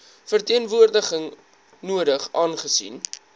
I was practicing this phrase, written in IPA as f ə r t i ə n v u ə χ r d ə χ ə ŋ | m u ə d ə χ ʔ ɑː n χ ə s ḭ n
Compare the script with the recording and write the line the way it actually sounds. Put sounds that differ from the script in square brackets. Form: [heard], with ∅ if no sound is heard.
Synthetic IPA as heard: f ə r t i ə n v u ə [∅] r d ə χ ə ŋ | [n] u ə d ə χ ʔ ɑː n χ ə s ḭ n